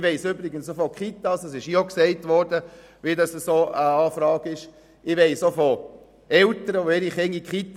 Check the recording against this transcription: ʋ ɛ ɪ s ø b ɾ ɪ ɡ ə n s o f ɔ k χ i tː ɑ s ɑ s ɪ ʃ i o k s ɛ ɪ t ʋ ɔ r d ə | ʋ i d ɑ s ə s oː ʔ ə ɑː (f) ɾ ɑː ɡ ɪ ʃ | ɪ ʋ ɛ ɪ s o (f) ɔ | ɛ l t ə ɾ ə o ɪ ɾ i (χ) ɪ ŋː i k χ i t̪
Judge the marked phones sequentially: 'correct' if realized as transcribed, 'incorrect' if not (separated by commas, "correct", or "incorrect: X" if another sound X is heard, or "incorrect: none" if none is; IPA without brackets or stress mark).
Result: correct, correct, correct